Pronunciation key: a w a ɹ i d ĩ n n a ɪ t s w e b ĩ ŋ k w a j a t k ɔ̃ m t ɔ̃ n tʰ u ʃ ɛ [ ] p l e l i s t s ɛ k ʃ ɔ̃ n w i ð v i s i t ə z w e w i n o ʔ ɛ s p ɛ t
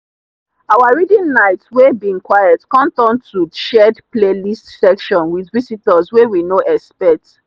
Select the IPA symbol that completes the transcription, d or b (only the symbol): d